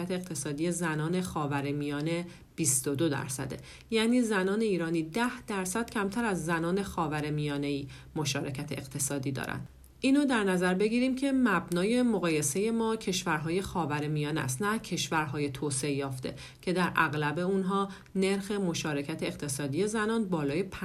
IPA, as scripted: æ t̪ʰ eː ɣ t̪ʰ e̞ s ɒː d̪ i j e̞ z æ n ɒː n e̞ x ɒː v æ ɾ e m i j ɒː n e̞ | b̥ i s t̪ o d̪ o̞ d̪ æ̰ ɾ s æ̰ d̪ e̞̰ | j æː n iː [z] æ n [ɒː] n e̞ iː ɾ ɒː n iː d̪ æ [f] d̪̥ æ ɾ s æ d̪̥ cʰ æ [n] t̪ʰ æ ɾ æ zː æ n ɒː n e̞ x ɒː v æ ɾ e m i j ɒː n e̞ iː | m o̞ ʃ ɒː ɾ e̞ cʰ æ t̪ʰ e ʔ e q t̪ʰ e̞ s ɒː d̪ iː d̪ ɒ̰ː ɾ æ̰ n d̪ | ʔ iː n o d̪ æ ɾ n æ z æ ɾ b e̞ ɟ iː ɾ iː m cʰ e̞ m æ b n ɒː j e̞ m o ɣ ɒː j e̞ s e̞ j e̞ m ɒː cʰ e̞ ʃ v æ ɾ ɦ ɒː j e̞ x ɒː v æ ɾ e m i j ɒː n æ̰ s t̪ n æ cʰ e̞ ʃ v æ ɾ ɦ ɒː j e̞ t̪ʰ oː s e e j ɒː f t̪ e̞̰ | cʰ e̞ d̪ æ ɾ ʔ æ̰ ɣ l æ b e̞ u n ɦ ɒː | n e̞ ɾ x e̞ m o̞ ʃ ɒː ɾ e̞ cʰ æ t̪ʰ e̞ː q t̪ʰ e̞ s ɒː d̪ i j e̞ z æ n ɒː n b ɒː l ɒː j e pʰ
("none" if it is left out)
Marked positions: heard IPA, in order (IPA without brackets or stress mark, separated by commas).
z, ɒː, h, m